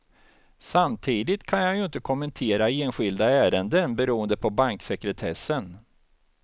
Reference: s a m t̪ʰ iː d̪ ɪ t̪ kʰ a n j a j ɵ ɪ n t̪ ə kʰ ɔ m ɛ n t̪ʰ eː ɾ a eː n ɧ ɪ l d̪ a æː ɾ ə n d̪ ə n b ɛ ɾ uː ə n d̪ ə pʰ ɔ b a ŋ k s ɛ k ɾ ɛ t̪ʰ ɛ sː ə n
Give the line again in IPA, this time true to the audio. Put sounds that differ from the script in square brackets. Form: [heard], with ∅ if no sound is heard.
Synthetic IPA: s a m t̪ʰ iː d̪ ɪ t̪ kʰ a n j a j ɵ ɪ n t̪ ə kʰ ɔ m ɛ n t̪ʰ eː ɾ a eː n ɧ ɪ l d̪ a æː ɾ ə n d̪ ə n b ɛ ɾ uː ə n d̪ ə pʰ ɔ b a ŋ k s ɛ k ɾ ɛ t̪ʰ ɛ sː ə n